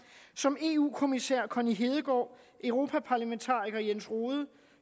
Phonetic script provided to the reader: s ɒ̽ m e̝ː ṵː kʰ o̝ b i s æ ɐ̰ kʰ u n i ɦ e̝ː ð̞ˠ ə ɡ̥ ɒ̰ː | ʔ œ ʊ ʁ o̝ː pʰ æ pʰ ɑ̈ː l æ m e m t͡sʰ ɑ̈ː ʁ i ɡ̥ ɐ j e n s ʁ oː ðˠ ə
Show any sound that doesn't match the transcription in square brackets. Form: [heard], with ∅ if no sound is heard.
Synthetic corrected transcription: s ɒ̽ m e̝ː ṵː kʰ o̝ [m] i s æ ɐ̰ kʰ [ɒ] n i ɦ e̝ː ð̞ˠ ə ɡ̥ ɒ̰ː | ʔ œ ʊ ʁ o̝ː pʰ æ pʰ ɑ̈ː l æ m e [n] t͡sʰ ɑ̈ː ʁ i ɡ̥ ɐ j e n s ʁ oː ðˠ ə